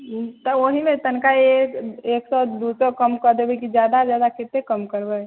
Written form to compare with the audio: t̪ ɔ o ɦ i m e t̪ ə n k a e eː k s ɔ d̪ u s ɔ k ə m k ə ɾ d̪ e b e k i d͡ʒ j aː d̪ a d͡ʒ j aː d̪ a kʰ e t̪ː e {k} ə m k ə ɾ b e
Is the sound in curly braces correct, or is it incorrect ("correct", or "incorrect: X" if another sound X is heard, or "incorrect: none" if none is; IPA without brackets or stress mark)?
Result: correct